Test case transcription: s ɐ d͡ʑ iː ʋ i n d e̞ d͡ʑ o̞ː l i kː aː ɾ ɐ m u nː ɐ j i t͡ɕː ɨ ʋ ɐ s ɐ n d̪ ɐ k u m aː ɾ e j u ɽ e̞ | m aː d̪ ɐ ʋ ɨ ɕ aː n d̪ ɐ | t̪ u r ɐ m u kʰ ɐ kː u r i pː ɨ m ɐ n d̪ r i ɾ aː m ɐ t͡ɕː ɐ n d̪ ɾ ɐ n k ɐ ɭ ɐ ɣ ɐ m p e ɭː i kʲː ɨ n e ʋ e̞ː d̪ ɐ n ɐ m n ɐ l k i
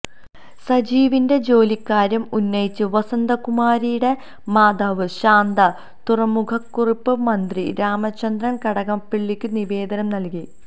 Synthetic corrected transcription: s ɐ d͡ʑ iː ʋ i n d e̞ d͡ʑ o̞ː l i kː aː ɾ ɐ m u nː ɐ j i t͡ɕː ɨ ʋ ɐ s ɐ n d̪ ɐ k u m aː ɾ i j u ɽ e̞ | m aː d̪ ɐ ʋ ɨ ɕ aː n d̪ ɐ | t̪ u r ɐ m u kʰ ɐ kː u r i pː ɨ m ɐ n d̪ r i ɾ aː m ɐ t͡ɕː ɐ n d̪ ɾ ɐ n k ɐ ɽ ɐ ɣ ɐ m p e ɭː i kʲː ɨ n i ʋ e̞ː d̪ ɐ n ɐ m n ɐ l k i